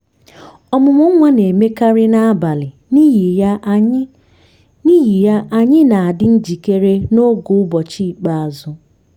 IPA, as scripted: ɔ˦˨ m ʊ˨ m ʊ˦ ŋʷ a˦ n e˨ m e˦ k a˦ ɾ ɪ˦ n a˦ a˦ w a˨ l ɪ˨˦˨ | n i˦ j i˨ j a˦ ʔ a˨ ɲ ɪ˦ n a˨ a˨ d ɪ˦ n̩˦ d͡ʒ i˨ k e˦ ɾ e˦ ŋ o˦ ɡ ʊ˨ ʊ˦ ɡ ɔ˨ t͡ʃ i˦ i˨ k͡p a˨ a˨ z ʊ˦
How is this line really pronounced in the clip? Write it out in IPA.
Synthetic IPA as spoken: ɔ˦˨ m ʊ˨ m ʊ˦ ŋʷ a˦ n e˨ m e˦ k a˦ ɾ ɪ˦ n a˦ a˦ b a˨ l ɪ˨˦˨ | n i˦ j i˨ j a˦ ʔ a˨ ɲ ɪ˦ n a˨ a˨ d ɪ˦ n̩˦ d͡ʒ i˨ k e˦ ɾ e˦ n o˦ ɡ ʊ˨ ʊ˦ b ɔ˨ t͡ʃ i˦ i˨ k͡p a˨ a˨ z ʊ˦